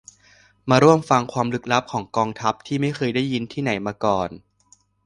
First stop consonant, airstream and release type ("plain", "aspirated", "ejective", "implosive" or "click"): aspirated